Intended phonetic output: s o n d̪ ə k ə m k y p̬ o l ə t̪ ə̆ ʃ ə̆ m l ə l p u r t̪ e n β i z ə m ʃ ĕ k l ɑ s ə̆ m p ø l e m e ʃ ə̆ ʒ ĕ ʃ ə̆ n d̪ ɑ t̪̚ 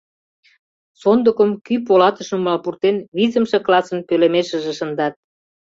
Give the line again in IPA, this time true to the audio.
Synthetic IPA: s o n d̪ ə k ə m k y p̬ o l ɑ t̪ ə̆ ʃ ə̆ m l ɑ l p u r t̪ e n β i z ə m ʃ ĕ k l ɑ s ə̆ n p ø l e m e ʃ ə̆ ʒ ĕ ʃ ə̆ n d̪ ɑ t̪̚